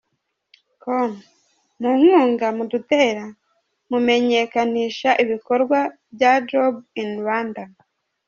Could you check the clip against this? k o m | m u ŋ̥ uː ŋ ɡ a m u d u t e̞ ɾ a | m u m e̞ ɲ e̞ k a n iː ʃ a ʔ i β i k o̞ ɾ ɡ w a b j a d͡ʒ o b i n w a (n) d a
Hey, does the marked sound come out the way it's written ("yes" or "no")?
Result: yes